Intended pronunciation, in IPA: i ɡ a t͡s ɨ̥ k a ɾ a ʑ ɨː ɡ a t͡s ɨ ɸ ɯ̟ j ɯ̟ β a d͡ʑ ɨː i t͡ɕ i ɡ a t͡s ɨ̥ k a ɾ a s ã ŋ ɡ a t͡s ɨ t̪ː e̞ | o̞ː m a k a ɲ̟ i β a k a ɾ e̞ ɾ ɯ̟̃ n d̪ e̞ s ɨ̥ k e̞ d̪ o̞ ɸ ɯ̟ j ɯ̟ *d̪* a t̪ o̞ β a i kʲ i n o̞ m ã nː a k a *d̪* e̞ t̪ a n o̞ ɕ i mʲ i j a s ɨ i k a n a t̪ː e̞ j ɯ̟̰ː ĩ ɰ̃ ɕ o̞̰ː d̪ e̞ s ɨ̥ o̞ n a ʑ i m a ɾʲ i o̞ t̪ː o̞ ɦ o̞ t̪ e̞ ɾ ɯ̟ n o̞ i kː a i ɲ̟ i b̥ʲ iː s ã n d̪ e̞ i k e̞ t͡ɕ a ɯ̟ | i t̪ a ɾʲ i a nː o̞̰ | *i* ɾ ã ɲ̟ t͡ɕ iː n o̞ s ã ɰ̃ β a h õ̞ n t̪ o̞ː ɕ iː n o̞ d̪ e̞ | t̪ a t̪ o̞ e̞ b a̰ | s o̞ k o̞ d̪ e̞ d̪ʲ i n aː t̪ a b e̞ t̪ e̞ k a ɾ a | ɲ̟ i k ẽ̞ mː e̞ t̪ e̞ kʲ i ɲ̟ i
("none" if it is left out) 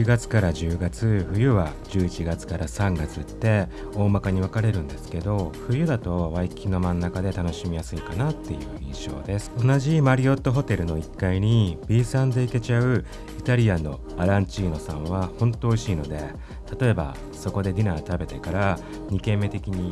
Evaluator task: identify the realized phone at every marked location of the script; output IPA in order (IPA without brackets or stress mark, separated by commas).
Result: d̪, d̪, a